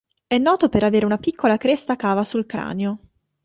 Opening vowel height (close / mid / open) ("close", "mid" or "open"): mid